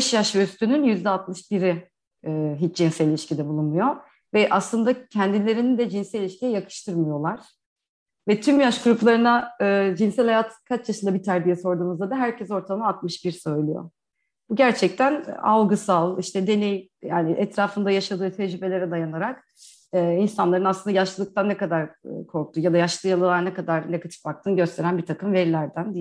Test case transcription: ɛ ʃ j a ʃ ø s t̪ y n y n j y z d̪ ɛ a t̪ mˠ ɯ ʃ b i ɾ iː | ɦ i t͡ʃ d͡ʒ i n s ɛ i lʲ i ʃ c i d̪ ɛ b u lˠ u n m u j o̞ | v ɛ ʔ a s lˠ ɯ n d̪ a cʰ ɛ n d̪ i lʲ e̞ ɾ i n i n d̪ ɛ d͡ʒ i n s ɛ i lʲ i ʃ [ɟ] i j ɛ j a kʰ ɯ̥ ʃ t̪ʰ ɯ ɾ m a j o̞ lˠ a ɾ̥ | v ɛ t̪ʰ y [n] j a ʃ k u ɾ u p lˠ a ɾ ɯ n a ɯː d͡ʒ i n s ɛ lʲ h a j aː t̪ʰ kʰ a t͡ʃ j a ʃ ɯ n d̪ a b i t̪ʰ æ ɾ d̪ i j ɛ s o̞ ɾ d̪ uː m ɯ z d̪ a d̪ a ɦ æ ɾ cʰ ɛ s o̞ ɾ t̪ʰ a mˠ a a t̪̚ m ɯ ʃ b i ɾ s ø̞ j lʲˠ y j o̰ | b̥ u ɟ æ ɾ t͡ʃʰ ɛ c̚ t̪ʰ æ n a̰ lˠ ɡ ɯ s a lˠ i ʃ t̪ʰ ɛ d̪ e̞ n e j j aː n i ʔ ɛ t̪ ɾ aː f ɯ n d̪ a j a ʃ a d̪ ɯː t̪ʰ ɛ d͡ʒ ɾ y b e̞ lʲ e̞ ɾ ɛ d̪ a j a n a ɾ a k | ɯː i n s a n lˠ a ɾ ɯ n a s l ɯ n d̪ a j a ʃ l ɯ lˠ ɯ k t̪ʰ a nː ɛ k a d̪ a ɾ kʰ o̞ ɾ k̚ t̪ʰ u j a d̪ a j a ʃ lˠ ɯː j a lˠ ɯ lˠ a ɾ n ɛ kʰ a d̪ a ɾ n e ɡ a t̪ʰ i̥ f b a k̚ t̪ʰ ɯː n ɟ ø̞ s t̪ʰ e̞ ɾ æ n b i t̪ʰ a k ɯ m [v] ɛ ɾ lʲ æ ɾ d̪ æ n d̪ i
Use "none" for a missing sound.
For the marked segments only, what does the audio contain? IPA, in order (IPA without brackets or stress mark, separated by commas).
c, m, v